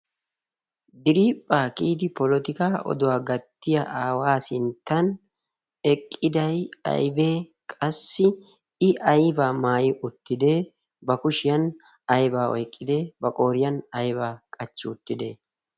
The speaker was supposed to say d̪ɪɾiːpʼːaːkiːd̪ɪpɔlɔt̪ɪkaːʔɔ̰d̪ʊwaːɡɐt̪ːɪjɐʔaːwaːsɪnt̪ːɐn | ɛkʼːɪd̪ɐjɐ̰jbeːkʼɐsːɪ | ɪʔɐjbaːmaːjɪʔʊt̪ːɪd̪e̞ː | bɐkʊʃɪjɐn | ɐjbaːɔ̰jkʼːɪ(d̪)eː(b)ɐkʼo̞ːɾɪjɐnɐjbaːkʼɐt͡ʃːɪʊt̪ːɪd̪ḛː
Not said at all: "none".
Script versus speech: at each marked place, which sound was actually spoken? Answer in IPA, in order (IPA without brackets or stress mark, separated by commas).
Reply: d̪, b